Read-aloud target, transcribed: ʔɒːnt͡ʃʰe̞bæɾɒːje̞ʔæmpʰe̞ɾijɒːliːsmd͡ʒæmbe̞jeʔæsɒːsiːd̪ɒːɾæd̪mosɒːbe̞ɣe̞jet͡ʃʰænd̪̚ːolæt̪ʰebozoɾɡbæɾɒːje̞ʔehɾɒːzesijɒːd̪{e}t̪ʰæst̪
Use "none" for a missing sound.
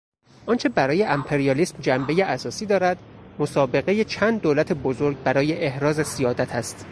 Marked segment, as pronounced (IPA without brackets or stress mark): æ